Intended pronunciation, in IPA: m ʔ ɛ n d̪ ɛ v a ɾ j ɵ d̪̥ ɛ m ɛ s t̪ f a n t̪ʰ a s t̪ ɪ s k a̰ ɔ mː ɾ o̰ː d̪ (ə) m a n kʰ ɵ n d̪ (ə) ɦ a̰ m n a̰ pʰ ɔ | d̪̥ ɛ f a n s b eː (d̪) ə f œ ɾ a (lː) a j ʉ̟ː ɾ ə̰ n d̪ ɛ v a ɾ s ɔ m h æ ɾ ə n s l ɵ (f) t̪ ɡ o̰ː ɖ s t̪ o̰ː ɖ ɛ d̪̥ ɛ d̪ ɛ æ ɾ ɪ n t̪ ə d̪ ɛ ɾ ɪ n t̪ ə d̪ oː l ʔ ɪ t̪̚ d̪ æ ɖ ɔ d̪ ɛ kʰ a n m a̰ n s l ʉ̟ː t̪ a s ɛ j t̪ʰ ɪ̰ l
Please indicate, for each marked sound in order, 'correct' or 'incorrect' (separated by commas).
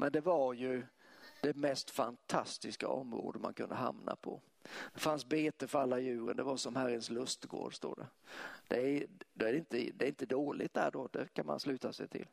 correct, correct, incorrect, correct, incorrect